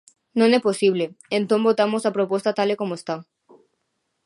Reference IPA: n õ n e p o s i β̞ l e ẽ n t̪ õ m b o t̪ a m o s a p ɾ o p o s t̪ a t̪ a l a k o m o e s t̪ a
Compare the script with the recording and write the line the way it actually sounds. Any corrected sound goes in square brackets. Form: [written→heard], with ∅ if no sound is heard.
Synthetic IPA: n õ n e p o s i β̞ l e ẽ n t̪ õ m b o t̪ a m o s a p ɾ o p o s t̪ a t̪ a l [a→e] k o m o e s t̪ a

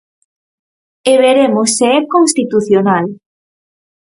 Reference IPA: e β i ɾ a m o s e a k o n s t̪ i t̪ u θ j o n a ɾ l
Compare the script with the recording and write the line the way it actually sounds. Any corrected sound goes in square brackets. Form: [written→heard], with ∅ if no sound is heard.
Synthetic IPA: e β [i→e] ɾ [a→e] m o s e [a→ɛ] k o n s t̪ i t̪ u θ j o n a [ɾ→∅] l

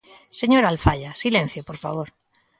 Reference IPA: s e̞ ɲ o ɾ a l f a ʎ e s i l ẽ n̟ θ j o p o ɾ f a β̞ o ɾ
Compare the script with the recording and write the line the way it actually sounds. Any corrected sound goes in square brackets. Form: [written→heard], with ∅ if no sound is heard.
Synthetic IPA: s e̞ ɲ o ɾ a l f a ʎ [e→a] s i l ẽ n̟ θ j o p o ɾ f a β̞ o ɾ

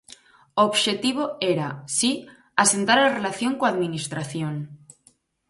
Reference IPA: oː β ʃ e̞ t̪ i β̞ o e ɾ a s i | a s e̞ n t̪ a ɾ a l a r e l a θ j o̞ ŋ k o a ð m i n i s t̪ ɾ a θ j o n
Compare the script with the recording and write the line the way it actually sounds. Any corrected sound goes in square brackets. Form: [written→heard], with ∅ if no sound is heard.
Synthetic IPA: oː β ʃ e̞ t̪ i β̞ o e ɾ a s i | a s e̞ n t̪ a ɾ a l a r e l a θ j o̞ ŋ k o a ð m i n i s t̪ ɾ a θ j o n

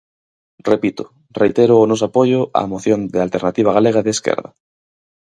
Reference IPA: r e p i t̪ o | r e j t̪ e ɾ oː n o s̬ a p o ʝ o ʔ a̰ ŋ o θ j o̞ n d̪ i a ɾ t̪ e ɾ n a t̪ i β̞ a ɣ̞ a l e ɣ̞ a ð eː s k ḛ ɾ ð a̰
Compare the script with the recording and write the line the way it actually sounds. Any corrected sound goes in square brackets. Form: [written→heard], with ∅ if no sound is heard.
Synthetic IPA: r e p i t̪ o | r e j t̪ e ɾ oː n o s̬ a p o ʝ o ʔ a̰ [ŋ→m] o θ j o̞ n d̪ [i→e] a [ɾ→l] t̪ e ɾ n a t̪ i β̞ a ɣ̞ a l e ɣ̞ a ð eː s k ḛ ɾ ð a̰

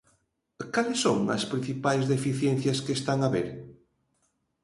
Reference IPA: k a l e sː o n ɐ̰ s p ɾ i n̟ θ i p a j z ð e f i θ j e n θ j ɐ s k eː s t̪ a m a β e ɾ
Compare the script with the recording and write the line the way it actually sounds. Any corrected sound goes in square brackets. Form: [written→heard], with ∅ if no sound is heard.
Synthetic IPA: k a l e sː o [n→ŋ] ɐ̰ s p ɾ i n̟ θ i p a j z ð e f i θ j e n θ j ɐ s k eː s t̪ a [m→ŋ] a β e ɾ

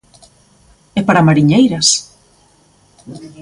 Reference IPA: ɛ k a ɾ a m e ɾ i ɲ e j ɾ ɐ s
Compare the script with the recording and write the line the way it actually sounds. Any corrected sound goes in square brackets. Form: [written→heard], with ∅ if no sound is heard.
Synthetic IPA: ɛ [k→p] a ɾ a m [e→a] ɾ i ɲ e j ɾ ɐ s

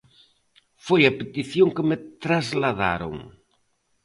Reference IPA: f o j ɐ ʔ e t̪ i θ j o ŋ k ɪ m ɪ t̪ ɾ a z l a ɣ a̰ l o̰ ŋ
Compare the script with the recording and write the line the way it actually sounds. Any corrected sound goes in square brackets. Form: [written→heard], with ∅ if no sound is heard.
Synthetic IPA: f o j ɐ [ʔ→p] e t̪ i θ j o ŋ k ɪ m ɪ t̪ ɾ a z l a [ɣ→ð] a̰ [l→ɾ] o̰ ŋ

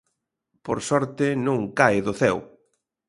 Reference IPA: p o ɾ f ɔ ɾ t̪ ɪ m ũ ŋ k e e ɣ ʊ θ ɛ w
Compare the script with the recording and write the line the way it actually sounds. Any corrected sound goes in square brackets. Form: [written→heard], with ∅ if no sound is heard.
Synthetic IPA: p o ɾ [f→s] ɔ ɾ t̪ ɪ [m→n] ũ ŋ k [e→a] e [ɣ→ð] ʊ θ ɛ w

